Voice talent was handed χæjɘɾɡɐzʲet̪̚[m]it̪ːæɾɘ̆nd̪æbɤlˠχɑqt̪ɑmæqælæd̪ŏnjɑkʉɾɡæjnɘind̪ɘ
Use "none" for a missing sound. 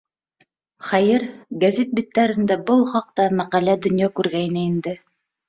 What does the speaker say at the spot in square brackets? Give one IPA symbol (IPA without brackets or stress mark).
b